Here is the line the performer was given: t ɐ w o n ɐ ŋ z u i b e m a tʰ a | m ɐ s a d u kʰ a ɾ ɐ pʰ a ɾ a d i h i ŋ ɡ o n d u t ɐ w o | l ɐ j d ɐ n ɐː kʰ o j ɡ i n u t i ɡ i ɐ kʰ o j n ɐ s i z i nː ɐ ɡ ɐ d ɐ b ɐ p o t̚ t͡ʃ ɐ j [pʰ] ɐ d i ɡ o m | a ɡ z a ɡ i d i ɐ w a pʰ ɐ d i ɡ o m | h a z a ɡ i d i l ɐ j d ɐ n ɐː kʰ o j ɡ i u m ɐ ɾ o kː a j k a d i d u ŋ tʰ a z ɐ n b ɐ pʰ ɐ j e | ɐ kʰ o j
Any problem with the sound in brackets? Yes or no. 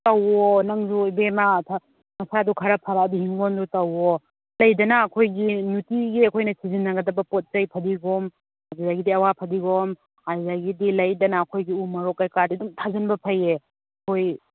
no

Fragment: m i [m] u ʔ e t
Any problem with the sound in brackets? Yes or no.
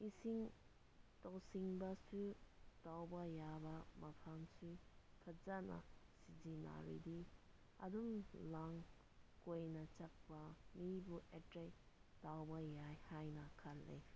yes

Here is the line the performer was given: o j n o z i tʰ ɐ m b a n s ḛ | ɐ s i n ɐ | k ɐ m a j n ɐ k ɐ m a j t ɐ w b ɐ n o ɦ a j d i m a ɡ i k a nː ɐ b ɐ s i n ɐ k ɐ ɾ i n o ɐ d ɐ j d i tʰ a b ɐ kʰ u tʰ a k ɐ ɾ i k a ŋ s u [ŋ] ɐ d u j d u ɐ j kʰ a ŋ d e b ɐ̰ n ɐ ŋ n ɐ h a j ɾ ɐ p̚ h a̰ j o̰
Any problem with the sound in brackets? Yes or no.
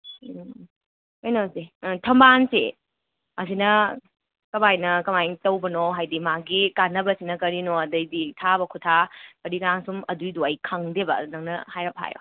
yes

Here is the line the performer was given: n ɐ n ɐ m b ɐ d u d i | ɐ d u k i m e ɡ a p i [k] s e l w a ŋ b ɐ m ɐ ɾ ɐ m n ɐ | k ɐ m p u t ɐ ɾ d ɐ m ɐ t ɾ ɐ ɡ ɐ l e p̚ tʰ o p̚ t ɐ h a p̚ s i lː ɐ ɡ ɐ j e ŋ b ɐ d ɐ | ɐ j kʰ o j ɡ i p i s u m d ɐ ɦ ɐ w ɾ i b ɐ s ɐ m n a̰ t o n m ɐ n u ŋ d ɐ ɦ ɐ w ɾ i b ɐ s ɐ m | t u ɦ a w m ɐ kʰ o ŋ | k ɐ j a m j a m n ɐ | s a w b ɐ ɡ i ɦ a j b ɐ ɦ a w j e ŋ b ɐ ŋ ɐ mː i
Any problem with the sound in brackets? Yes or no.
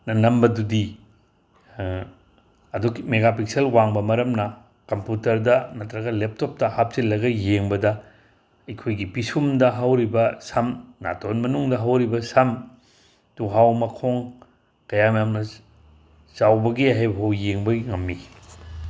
no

